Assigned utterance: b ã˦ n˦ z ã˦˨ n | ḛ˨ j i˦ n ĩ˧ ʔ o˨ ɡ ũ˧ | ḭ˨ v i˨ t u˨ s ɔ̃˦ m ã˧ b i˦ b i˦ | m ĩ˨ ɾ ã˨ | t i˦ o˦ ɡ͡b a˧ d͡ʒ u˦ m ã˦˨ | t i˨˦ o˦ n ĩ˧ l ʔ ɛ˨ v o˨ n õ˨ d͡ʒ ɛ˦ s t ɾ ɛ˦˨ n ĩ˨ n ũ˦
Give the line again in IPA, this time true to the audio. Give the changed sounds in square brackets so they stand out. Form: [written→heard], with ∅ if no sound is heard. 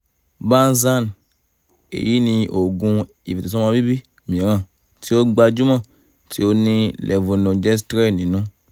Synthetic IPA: b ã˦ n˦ z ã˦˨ n | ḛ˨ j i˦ n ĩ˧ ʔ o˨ ɡ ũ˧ | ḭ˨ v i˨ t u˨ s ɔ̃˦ m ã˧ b i˦ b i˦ | m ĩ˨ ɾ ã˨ | t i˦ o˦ ɡ͡b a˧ d͡ʒ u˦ m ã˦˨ | t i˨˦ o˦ n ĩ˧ l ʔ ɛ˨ v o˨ n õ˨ d͡ʒ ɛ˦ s t ɾ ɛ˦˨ n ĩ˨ n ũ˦

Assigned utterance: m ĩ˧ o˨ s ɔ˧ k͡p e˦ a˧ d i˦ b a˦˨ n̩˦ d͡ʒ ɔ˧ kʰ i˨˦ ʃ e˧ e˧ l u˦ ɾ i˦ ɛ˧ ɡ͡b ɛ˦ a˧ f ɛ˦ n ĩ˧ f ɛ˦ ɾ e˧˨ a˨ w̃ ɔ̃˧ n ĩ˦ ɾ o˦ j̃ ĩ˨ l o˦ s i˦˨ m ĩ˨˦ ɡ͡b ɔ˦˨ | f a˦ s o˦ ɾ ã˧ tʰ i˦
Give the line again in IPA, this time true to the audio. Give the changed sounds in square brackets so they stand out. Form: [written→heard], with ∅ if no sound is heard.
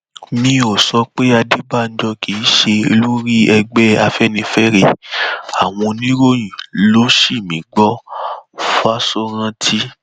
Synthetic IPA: m ĩ˧ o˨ s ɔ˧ k͡p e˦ a˧ d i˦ b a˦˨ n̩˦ d͡ʒ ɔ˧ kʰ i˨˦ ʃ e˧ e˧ l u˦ ɾ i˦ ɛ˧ ɡ͡b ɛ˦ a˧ f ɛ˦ n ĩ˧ f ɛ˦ ɾ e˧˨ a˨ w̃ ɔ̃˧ n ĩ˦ ɾ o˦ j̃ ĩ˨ l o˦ [s→ʃ] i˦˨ m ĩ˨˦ ɡ͡b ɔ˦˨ | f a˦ s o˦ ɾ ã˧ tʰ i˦

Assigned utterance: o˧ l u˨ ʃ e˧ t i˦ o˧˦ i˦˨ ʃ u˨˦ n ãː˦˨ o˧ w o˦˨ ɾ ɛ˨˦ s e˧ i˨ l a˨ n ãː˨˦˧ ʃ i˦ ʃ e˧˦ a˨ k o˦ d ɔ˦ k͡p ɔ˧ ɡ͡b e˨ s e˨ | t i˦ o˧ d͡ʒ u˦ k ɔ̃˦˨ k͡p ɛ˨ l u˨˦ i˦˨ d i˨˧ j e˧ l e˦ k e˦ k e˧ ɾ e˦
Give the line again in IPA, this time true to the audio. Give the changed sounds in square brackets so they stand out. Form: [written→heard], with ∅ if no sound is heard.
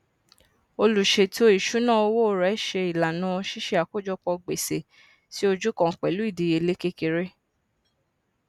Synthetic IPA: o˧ l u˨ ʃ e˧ t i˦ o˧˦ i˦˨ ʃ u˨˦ n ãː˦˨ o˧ w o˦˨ ɾ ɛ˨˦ [s→ʃ] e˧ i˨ l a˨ n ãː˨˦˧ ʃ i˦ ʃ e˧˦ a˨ k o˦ [d→d͡ʒ] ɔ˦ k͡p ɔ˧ ɡ͡b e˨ s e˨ | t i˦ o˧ d͡ʒ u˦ k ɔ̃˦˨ k͡p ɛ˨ l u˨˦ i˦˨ d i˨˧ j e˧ l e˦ k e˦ k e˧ ɾ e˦

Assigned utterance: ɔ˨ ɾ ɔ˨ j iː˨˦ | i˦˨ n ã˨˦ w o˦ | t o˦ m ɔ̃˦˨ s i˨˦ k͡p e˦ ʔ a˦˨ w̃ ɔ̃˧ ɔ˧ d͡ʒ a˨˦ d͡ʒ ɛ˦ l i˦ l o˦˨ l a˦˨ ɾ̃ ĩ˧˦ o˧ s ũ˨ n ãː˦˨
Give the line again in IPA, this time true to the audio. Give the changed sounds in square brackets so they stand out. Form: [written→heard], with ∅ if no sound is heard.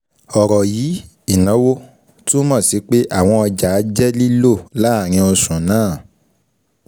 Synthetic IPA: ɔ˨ ɾ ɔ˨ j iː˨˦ | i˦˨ n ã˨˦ w o˦ | t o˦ m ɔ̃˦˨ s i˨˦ k͡p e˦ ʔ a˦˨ w̃ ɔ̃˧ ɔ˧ d͡ʒ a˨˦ d͡ʒ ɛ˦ l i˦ l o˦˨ l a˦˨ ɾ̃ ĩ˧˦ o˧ s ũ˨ n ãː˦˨

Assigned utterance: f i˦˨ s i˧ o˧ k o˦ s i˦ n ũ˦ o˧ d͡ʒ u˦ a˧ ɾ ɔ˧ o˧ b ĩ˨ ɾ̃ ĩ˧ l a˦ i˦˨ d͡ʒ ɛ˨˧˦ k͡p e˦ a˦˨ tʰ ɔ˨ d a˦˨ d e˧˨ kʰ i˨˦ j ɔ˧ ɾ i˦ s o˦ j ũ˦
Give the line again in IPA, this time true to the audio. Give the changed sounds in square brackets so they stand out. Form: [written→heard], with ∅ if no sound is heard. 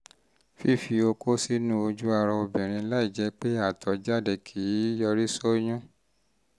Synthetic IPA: f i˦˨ [s→f] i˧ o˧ k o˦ s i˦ n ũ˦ o˧ d͡ʒ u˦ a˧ ɾ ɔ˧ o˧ b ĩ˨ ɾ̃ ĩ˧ l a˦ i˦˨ d͡ʒ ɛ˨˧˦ k͡p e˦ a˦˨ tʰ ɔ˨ [d→d͡ʒ] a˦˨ d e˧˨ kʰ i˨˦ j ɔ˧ ɾ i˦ s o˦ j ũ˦

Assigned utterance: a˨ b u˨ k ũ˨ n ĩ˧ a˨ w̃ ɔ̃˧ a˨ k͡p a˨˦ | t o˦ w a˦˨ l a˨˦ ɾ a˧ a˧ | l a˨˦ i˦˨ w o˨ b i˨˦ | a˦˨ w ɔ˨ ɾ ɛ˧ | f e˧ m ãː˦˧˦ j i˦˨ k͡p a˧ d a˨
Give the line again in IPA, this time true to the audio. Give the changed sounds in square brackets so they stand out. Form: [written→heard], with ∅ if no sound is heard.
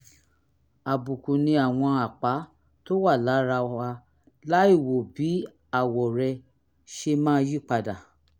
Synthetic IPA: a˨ b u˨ k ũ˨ n ĩ˧ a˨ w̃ ɔ̃˧ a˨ k͡p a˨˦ | t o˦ w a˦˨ l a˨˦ ɾ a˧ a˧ | l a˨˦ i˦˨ w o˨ b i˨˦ | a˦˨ w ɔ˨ ɾ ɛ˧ | [f→ʃ] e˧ m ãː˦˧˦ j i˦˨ k͡p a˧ d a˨

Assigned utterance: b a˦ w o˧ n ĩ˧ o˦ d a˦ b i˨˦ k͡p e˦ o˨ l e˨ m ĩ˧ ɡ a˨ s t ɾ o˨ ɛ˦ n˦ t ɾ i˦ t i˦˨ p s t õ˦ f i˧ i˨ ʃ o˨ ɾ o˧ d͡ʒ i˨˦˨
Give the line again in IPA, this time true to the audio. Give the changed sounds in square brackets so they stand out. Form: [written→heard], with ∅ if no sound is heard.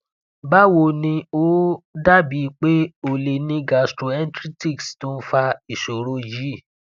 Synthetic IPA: b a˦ w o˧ n ĩ˧ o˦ d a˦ b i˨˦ k͡p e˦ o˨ l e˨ [m→n] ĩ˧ ɡ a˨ s t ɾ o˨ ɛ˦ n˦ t ɾ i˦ t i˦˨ [p→k] s t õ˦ f [i˧→a˧] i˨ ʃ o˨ ɾ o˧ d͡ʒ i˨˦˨

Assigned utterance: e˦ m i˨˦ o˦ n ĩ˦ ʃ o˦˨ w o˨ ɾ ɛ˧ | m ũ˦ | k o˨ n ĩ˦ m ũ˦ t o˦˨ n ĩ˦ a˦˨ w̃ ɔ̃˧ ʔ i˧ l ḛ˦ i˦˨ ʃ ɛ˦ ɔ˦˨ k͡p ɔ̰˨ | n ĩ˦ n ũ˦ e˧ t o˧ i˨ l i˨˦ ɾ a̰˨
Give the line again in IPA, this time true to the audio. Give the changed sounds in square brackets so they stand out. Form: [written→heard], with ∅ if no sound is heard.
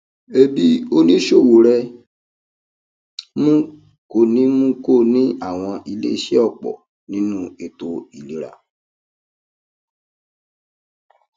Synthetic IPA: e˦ [m→b] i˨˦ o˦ n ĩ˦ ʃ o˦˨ w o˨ ɾ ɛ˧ | m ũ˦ | k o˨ n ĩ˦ m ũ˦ [t→k] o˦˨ n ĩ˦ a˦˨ w̃ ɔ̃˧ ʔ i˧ l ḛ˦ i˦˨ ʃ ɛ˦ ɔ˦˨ k͡p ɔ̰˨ | n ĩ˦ n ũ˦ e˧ t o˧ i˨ l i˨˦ ɾ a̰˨

